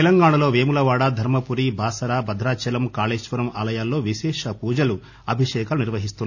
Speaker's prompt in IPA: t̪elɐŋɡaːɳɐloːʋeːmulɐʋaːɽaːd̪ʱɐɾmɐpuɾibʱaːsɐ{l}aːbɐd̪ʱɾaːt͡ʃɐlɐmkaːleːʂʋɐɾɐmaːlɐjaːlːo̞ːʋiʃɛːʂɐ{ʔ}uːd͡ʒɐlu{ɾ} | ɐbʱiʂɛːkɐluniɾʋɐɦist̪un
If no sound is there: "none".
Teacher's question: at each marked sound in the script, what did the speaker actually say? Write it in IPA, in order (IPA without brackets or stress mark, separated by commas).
ɾ, p, none